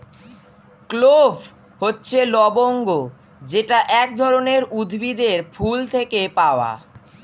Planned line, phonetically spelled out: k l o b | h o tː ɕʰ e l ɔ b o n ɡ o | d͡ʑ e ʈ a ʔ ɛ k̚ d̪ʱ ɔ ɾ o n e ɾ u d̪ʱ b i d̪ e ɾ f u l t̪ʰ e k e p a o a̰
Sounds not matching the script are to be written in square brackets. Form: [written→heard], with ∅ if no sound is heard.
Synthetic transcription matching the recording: k l o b | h o tː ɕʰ e l ɔ b o [n→ŋ] ɡ o | d͡ʑ e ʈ a ʔ ɛ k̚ d̪ʱ ɔ ɾ o n e ɾ u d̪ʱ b i d̪ e ɾ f u l t̪ʰ e k e p a o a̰